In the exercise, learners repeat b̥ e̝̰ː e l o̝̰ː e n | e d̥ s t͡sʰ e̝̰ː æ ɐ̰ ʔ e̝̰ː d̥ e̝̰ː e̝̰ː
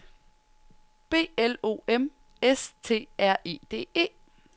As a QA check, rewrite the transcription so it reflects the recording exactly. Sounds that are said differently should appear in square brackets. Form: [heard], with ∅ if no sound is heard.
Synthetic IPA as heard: b̥ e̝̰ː e l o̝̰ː e [m] | e [∅] s t͡sʰ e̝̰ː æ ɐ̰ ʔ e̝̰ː d̥ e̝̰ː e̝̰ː